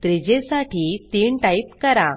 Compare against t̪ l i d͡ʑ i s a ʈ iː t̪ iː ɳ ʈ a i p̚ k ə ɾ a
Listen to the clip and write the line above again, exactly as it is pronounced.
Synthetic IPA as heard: t̪ ɾ i d͡ʑ e s a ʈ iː t̪ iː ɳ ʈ a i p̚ k ə ɾ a